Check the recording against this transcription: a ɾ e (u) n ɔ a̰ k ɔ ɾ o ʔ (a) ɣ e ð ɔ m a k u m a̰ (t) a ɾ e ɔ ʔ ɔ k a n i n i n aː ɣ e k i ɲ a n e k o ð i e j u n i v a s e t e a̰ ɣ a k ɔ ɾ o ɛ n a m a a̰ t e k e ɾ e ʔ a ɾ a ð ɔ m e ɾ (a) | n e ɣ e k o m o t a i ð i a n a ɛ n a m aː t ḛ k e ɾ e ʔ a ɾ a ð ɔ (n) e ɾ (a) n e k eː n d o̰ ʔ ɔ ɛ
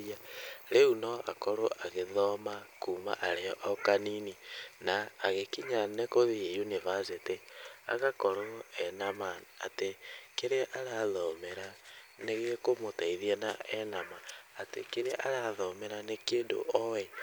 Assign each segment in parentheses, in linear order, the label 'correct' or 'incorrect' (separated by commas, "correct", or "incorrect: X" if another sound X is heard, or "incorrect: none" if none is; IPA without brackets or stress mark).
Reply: correct, correct, incorrect: ʔ, correct, incorrect: m, correct